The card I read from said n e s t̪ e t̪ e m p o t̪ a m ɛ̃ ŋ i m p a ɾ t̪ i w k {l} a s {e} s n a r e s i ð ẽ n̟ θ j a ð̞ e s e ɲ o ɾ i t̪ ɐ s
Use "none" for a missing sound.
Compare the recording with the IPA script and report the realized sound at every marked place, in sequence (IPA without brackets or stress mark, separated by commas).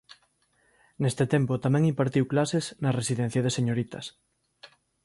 l, e